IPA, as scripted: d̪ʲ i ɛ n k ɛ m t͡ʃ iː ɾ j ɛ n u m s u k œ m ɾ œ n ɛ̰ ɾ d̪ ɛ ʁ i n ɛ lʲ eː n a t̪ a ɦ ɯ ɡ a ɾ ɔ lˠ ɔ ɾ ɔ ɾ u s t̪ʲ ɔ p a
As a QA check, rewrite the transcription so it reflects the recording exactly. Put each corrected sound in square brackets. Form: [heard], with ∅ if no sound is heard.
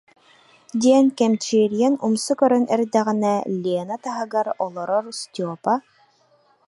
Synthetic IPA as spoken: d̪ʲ i ɛ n k ɛ m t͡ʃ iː ɾ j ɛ n u m s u k œ [∅] ɾ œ n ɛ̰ ɾ d̪ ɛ ʁ i n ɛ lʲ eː n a t̪ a ɦ ɯ ɡ a ɾ ɔ lˠ ɔ ɾ ɔ ɾ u s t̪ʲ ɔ p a